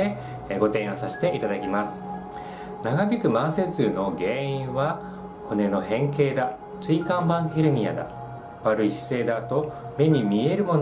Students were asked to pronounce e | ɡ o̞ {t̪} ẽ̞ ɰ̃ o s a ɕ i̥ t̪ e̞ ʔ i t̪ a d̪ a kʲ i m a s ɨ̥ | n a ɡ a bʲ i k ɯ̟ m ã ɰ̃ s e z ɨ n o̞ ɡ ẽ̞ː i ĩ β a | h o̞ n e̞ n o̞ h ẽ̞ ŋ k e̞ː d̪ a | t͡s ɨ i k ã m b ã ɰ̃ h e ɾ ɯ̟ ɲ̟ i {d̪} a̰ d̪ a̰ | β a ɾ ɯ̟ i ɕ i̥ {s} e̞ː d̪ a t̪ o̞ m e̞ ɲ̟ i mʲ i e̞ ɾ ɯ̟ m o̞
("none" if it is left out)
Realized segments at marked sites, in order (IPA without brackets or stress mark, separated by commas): t̪, none, s